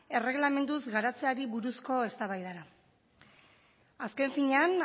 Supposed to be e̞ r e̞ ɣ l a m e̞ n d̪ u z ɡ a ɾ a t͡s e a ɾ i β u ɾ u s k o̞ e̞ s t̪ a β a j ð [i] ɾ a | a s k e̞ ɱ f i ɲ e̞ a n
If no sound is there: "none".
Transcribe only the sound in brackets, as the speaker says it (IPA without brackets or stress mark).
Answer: a